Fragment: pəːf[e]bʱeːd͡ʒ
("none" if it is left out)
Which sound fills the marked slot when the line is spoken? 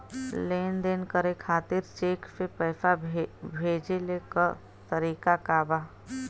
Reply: a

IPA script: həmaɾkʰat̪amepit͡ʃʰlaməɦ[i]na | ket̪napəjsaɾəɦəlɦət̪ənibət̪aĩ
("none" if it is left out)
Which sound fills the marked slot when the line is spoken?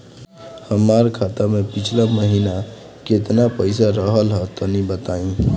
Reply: i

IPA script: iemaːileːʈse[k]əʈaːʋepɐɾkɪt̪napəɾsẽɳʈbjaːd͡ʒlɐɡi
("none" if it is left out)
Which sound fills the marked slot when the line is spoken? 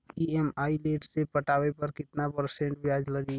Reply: p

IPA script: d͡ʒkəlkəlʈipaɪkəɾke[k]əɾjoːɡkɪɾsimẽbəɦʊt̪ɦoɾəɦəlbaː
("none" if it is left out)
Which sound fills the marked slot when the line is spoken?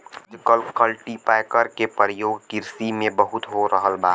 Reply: p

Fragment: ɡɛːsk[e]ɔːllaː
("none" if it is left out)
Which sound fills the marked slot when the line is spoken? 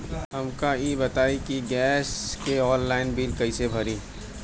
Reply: e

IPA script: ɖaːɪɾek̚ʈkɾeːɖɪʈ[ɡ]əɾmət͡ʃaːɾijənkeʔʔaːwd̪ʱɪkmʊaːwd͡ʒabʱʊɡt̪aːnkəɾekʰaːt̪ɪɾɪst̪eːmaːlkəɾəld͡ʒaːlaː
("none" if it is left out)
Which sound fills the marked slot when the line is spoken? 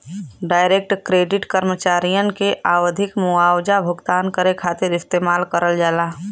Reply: k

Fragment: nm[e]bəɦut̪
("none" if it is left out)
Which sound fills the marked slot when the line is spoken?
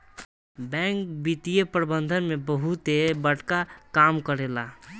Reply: e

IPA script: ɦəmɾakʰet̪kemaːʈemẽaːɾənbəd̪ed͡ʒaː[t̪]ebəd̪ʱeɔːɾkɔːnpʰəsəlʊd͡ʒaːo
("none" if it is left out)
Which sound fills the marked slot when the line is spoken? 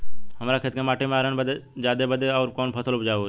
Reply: d̪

